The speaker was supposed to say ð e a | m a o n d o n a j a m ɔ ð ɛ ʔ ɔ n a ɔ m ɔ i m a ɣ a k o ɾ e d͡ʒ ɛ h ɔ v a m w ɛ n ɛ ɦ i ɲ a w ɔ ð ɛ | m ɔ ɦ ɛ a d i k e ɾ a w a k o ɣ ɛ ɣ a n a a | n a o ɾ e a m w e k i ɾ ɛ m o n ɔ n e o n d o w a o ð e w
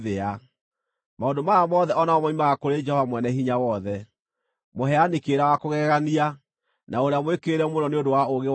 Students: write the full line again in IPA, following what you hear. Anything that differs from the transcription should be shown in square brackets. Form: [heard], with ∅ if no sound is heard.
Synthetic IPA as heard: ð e a | m a o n d o [m] a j a m ɔ ð ɛ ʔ ɔ n a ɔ m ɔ i m a ɣ a k o ɾ e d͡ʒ ɛ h ɔ v a m w ɛ n ɛ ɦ i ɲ a w ɔ ð ɛ | m [o] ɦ ɛ a [n] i k e ɾ a w a k o ɣ ɛ ɣ a n [i] a | n a o ɾ e a m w e k [e] ɾ ɛ m o n ɔ n e o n d o w a o [ɣ] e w